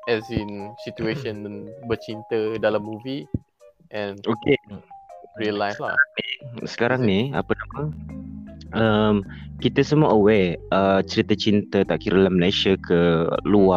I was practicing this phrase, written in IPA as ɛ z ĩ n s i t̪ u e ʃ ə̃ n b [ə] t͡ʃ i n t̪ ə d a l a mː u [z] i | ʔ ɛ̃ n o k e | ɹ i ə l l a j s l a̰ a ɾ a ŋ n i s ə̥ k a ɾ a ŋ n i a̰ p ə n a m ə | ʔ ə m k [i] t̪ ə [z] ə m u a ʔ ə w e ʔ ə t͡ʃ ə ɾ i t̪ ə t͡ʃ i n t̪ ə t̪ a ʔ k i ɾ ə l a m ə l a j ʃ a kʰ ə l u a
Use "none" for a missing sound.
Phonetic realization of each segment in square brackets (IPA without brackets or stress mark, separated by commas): ə, v, i, s